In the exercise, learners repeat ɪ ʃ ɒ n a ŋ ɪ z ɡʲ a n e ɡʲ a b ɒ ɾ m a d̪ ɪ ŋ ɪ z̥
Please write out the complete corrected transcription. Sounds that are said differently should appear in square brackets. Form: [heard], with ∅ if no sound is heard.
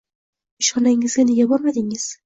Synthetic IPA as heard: ɪ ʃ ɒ n a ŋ ɪ z ɡʲ a n e ɡʲ a b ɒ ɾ m a d̪ ɪ ŋ ɪ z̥